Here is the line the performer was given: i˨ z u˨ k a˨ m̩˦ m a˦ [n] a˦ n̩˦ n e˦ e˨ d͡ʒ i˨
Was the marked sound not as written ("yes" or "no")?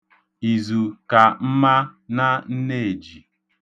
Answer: no